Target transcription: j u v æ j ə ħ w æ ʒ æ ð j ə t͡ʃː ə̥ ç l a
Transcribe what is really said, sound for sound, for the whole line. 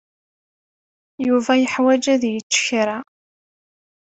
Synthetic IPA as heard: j u v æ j ə ħ w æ d͡ʒ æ ð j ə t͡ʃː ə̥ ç ɾ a